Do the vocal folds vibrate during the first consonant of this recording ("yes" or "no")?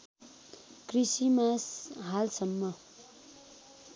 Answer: no